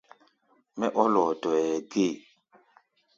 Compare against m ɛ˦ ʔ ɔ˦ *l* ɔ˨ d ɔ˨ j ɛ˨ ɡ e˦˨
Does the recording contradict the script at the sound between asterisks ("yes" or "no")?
no